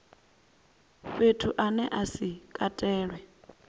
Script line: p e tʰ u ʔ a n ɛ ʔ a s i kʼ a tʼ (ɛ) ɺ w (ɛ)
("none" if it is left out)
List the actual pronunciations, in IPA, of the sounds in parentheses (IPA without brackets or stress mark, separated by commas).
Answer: ɛː, ɛ